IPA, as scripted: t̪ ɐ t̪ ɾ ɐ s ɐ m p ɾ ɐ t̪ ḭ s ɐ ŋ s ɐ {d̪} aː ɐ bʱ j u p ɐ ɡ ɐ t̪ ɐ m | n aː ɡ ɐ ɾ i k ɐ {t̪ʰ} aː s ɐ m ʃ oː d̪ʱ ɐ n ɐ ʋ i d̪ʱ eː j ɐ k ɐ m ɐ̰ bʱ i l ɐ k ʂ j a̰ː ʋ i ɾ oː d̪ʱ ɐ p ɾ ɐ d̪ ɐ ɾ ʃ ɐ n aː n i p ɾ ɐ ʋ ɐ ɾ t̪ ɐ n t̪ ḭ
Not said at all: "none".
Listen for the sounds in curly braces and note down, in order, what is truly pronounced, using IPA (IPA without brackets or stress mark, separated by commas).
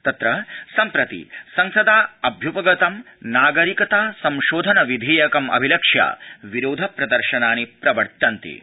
d̪, t̪